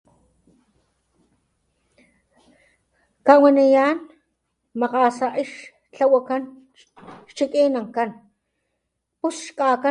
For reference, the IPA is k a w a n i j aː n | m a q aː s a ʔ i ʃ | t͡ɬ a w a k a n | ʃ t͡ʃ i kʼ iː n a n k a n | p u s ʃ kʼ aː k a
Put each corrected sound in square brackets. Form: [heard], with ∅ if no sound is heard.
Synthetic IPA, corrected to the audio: k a w a n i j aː n | m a q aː s a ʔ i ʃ | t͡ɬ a w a k a n | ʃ t͡ʃ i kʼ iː n a [ŋ] k a n | p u s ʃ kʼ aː k a